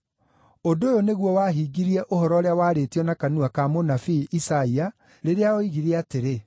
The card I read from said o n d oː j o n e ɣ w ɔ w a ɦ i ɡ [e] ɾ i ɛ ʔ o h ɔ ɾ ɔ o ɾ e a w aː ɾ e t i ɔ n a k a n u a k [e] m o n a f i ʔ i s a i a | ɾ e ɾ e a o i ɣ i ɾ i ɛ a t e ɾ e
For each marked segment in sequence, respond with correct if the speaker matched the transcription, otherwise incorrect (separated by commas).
incorrect, incorrect